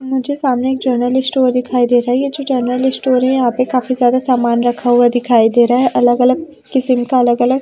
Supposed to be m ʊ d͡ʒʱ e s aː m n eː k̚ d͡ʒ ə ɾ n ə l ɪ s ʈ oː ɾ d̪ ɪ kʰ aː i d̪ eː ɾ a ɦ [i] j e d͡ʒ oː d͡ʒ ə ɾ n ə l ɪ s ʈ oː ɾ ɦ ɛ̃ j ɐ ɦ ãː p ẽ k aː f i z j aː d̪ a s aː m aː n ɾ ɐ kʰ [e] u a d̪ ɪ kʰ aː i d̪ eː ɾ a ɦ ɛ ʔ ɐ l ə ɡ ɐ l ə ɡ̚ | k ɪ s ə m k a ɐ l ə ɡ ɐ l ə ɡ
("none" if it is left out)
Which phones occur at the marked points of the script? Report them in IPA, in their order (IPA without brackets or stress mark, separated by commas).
ɛ, a